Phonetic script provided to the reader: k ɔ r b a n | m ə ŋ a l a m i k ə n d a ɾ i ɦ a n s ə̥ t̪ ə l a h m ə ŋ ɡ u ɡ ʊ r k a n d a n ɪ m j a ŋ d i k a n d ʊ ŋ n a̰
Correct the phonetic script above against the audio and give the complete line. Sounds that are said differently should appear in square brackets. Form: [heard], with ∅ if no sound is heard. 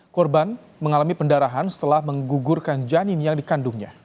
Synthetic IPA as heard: k ɔ r b a n | m ə ŋ a l a m i [p] ə n d a ɾ [a] ɦ a n s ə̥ t̪ ə l a h m ə ŋ ɡ u ɡ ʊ r k a n [d͡ʒ] a n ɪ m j a ŋ d i k a n d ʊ ŋ [ɲ] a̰

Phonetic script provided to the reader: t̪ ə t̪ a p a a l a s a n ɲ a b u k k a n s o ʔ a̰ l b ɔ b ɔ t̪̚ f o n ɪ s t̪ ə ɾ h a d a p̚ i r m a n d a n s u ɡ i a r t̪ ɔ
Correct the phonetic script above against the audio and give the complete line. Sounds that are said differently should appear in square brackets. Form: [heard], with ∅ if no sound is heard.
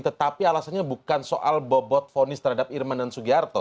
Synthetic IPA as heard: t̪ ə t̪ a p [i] a l a s a n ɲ a b u k k a n s o ʔ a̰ l b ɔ b ɔ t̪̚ f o n ɪ s t̪ ə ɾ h a d a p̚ i r m a n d a n s u ɡ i a r t̪ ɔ

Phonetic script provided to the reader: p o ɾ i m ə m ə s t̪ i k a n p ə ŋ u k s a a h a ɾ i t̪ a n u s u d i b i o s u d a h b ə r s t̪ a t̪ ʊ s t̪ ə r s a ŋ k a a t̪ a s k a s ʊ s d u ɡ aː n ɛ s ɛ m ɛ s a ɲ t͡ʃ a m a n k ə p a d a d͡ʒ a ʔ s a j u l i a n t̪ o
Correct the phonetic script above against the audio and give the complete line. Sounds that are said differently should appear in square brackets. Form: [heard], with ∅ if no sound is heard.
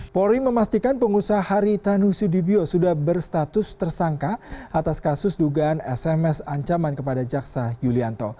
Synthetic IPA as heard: p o ɾ i m ə m [a] s t̪ i k a n p ə ŋ u [∅] s a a h a ɾ i t̪ a n u s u d i b i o s u d a h b ə r s t̪ a t̪ ʊ s t̪ ə r s a ŋ k a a t̪ a s k a s ʊ s d u ɡ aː n ɛ s ɛ m ɛ s a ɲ t͡ʃ a m a n k ə p a d a d͡ʒ a [k] s a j u l i a n t̪ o

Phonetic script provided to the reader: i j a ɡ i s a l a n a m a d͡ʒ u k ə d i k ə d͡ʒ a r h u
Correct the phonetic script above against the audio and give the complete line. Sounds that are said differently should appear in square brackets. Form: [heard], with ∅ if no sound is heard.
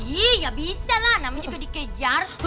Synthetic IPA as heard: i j a [b] i s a l a n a m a d͡ʒ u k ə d i k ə d͡ʒ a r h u

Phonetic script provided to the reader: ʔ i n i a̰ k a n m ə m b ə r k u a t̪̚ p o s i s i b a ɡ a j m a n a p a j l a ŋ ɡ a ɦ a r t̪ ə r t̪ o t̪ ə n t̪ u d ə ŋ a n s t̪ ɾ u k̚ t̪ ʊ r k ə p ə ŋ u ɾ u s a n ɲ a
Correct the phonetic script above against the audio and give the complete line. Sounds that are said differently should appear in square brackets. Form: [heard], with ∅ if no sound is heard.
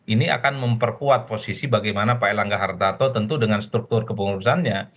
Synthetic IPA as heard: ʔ i n i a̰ k a n m ə m [p] ə r k u a t̪̚ p o s i s i b a ɡ a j m a n a p a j l a ŋ ɡ a ɦ a r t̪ [a] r t̪ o t̪ ə n t̪ u d ə ŋ a n s t̪ ɾ u k̚ t̪ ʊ r k ə p ə ŋ u ɾ u s a n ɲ a

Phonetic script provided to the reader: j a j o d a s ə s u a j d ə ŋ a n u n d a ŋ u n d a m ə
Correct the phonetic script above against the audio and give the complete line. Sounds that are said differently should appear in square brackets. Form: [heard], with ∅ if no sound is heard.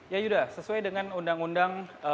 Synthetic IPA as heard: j a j [u] d a s ə s u a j d ə ŋ a n u n d a ŋ u n d a [ŋ] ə

